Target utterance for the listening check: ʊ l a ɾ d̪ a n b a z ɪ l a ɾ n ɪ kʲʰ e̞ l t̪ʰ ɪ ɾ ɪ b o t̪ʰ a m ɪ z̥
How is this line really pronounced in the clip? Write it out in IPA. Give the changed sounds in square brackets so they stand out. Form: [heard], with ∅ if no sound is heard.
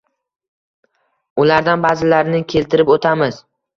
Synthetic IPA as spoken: ʊ l a ɾ d̪ a n b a z ɪ l a ɾ n ɪ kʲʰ e̞ l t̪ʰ ɪ ɾ ɪ [p] o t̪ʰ a m ɪ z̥